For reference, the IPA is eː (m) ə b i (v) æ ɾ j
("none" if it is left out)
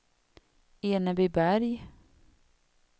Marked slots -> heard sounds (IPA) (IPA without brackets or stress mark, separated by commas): n, b